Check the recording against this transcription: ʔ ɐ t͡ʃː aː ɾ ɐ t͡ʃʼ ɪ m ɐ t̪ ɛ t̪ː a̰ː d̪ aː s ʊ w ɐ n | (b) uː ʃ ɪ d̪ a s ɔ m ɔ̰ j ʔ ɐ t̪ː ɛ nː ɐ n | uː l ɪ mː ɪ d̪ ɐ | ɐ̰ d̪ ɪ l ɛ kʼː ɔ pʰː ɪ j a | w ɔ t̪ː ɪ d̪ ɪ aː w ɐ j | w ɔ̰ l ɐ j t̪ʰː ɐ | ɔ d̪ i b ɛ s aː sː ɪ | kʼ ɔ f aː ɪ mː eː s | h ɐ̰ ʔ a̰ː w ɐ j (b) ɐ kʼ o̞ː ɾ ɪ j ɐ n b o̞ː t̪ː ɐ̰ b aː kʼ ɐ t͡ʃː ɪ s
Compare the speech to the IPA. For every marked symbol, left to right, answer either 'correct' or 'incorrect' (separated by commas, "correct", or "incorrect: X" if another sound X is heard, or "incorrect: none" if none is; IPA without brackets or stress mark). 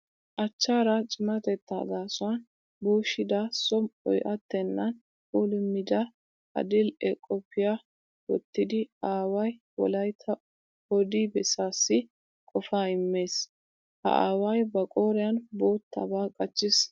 correct, correct